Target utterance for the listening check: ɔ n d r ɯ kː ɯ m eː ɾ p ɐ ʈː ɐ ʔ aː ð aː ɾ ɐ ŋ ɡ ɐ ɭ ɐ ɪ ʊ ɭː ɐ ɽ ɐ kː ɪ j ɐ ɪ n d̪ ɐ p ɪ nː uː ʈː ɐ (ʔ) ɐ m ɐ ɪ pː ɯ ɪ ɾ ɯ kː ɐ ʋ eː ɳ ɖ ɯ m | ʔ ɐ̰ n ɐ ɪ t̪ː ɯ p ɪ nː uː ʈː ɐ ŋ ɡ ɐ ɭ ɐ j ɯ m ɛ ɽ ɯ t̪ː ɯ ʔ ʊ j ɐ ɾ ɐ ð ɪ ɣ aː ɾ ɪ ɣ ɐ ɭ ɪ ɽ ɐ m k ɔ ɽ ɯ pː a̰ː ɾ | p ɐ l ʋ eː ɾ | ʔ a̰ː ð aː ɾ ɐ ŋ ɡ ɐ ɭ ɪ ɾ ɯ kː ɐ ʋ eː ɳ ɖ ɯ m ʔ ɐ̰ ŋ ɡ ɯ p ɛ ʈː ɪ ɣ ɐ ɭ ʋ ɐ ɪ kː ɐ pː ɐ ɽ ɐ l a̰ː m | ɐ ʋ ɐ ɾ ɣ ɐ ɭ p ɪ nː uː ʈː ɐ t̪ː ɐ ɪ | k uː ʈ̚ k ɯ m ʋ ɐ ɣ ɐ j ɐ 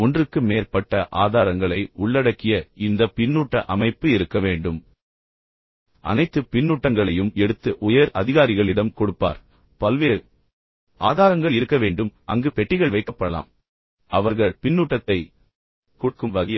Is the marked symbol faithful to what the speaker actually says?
yes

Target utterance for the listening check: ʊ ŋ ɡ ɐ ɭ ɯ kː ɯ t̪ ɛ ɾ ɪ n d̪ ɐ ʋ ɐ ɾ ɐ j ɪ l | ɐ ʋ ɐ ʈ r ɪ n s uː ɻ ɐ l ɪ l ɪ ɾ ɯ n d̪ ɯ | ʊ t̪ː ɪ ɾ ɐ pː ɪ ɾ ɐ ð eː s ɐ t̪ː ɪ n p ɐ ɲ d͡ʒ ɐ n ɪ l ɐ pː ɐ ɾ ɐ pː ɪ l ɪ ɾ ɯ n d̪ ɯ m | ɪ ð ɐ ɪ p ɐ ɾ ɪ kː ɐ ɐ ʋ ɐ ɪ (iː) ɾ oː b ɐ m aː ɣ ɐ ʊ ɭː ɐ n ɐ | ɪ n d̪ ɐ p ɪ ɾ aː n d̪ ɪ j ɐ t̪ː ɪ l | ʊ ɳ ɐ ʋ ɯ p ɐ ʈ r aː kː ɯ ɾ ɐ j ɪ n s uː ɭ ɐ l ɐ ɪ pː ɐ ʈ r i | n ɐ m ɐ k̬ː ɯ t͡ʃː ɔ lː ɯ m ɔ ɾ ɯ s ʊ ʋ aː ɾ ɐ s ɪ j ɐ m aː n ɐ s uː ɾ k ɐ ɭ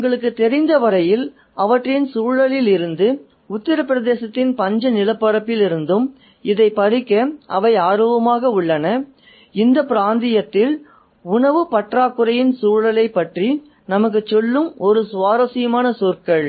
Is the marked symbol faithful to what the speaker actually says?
no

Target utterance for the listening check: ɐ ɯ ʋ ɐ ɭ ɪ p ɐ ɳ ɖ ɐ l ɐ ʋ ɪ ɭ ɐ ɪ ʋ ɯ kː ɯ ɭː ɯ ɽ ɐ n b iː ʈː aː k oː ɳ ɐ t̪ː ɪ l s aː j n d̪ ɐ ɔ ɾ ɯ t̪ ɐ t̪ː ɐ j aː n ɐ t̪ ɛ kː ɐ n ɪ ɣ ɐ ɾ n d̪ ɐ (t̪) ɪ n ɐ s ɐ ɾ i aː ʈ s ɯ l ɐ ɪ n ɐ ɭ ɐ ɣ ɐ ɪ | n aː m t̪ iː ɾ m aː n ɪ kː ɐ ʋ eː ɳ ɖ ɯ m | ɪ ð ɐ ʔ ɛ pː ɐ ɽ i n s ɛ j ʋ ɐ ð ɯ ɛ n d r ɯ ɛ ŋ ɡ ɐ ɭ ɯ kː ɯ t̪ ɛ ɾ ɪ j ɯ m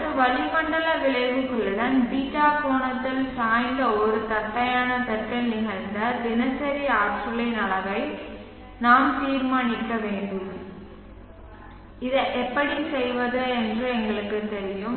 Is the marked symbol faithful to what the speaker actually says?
no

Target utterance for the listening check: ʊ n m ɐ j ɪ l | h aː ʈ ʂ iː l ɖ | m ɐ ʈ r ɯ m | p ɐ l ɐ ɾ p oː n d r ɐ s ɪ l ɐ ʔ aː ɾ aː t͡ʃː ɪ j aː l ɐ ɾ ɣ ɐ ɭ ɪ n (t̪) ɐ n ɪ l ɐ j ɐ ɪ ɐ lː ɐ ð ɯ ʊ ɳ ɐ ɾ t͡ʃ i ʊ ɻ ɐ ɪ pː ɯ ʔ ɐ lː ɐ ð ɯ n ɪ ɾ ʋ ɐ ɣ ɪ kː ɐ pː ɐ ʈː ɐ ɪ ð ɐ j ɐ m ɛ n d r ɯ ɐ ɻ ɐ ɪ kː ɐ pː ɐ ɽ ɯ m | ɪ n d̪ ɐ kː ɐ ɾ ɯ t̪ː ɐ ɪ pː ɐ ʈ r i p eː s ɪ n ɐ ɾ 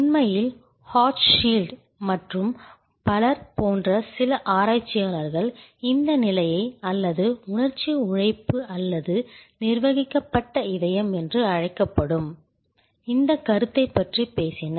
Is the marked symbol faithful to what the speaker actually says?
no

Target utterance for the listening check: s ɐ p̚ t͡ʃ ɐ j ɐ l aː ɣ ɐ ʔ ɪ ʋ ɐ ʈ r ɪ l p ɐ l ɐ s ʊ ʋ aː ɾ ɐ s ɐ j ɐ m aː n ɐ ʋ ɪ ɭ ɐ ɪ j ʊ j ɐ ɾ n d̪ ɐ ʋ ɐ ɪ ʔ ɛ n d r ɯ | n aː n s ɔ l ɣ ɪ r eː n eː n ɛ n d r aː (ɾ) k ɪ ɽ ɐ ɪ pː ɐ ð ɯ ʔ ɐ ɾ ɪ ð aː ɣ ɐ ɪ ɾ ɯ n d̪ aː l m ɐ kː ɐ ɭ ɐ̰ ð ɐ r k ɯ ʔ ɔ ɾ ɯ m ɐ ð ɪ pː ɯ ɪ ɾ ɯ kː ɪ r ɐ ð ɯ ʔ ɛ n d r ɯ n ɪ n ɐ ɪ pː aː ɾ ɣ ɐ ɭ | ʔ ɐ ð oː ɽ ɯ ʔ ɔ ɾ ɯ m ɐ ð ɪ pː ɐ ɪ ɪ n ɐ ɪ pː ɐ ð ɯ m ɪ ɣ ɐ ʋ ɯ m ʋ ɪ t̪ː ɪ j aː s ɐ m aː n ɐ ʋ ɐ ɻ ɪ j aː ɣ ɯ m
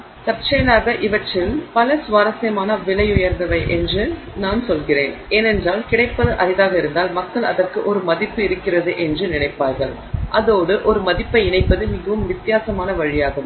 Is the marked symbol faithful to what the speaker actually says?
no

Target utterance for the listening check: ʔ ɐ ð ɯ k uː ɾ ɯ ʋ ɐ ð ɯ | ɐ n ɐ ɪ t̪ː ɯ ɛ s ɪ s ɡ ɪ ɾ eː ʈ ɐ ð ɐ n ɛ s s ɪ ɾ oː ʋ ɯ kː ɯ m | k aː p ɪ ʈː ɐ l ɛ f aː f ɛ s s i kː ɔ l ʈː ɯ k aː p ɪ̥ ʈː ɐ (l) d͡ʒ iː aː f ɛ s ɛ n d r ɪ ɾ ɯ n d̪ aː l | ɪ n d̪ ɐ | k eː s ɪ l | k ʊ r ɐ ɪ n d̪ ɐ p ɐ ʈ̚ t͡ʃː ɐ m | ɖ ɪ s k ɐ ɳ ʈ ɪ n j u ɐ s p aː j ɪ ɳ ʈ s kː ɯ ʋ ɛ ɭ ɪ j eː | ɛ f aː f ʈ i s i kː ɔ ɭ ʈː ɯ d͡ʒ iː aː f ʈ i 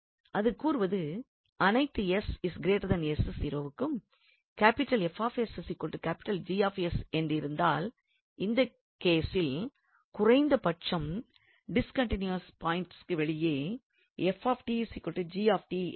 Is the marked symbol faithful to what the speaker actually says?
yes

